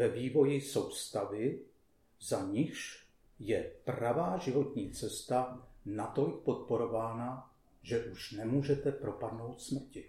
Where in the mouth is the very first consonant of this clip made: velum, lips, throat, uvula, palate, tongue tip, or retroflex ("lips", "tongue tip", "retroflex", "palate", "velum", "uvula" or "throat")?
lips